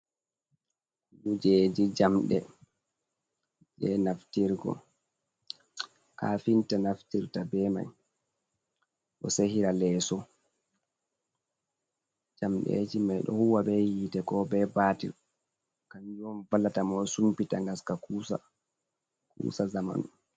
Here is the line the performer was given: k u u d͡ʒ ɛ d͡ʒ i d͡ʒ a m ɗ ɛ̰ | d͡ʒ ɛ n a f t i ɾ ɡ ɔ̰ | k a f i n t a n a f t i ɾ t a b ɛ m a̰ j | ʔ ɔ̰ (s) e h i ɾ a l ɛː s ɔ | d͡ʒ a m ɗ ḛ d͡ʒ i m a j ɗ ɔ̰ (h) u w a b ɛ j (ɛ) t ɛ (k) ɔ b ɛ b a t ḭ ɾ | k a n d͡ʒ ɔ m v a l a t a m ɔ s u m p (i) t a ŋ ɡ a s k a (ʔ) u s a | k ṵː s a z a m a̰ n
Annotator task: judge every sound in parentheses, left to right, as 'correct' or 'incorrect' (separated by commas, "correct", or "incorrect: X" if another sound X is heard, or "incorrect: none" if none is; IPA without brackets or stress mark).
correct, correct, incorrect: i, correct, correct, incorrect: k